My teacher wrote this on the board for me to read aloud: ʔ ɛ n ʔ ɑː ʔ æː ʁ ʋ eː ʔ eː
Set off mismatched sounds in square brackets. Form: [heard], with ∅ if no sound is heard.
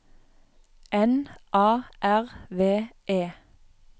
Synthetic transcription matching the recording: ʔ ɛ n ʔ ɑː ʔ [æ] ʁ ʋ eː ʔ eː